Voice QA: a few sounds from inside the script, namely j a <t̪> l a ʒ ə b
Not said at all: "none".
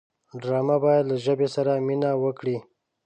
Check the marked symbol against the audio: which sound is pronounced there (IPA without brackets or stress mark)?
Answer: d̪